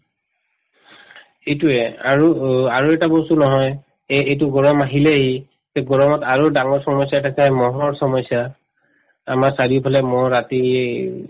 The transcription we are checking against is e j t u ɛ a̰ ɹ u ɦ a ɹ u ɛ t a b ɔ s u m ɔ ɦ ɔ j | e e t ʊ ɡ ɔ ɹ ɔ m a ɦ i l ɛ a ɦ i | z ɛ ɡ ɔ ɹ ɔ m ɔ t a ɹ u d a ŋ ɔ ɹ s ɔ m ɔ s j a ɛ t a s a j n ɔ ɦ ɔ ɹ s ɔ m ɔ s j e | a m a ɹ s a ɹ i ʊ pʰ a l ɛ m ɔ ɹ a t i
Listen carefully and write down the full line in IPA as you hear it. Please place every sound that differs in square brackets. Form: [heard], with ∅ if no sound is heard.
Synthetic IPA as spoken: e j t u ɛ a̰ ɹ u [∅] a ɹ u ɛ t a b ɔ s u [n] ɔ ɦ ɔ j | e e t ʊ ɡ ɔ ɹ ɔ m a ɦ i l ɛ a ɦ i | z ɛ ɡ ɔ ɹ ɔ m ɔ t a ɹ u d a ŋ ɔ ɹ s ɔ m ɔ s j a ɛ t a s a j [m] ɔ ɦ ɔ ɹ s ɔ m ɔ s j [a] | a m a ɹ s a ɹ i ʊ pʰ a l ɛ m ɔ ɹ a t i